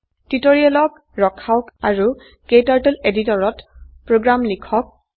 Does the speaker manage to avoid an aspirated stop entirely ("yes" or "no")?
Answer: no